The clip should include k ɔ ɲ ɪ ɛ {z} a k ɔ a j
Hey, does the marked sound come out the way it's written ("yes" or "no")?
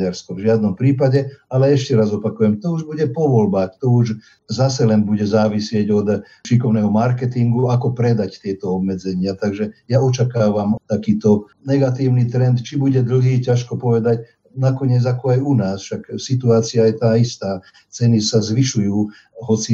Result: no